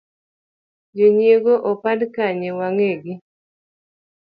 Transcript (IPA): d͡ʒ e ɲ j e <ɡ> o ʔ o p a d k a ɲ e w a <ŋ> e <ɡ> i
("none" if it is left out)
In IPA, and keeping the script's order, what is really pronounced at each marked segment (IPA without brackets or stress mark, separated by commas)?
ɡ, ŋ, ɡ